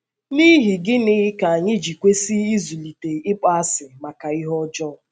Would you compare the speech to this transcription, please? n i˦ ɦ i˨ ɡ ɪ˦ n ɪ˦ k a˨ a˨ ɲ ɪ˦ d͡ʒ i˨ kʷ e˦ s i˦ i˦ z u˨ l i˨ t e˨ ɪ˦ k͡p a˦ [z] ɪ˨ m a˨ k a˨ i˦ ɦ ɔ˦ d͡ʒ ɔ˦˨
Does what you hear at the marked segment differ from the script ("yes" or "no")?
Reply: yes